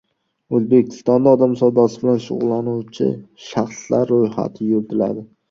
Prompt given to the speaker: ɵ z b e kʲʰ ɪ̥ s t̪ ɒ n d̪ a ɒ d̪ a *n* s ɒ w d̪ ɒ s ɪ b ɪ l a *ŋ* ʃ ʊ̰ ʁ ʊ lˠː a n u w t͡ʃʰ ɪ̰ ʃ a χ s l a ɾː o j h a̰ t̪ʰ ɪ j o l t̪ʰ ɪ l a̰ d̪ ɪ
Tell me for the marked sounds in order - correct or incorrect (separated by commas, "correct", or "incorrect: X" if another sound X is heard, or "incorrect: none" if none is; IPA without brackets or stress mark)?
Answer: incorrect: m, incorrect: n